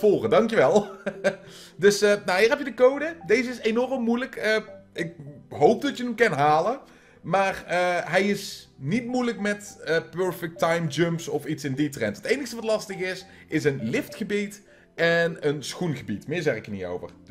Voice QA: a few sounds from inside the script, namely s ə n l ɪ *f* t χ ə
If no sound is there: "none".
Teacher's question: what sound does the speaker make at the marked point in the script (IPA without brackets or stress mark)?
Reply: f